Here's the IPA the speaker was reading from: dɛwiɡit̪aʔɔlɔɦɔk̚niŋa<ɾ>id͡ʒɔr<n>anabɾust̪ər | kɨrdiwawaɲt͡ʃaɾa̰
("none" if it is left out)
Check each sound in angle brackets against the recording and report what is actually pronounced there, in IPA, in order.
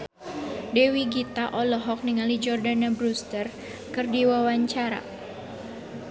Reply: l, d

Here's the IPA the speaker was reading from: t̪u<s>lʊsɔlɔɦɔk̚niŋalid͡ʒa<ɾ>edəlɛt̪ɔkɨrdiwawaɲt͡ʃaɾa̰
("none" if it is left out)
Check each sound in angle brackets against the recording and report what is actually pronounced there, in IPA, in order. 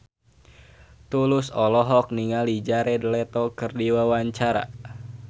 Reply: none, ɾ

